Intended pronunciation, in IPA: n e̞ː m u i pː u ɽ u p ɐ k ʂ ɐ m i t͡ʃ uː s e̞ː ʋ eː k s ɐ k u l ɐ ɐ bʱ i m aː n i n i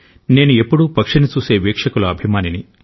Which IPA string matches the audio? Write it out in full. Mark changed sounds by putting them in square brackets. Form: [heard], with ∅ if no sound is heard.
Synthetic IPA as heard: n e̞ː [n] u [e] pː u ɽ u p ɐ k ʂ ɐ [n] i t͡ʃ uː s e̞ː ʋ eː k [ʂ] ɐ k u l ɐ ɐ bʱ i m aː n i n i